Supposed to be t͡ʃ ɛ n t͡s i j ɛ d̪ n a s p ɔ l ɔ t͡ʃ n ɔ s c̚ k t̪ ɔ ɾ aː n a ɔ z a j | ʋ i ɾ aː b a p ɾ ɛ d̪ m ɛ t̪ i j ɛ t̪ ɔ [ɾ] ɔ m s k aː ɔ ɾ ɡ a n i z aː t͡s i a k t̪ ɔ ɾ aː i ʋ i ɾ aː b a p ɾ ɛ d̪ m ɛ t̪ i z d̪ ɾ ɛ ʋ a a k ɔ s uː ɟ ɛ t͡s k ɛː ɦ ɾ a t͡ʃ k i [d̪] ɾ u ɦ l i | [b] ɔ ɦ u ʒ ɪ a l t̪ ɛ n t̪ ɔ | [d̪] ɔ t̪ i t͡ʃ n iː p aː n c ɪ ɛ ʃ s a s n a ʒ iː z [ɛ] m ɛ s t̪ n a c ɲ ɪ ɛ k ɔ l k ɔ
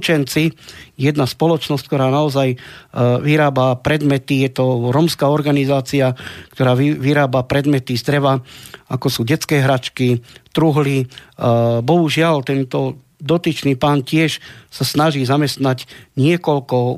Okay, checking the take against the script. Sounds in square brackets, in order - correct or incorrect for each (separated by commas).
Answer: correct, incorrect, correct, correct, incorrect